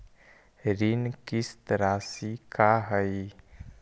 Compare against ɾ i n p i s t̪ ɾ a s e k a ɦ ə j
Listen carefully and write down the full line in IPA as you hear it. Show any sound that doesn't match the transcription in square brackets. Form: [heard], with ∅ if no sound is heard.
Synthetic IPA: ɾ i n [k] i s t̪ ɾ a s [i] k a ɦ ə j